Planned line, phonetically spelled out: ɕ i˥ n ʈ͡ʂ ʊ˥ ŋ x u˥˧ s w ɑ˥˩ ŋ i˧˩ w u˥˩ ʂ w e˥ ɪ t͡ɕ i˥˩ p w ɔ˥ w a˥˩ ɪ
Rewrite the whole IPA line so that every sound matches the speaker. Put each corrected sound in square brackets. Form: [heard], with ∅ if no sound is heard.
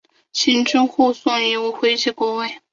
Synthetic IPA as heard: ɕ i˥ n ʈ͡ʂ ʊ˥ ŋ x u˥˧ s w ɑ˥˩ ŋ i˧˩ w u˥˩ [x] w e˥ ɪ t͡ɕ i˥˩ [k] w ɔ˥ w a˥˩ ɪ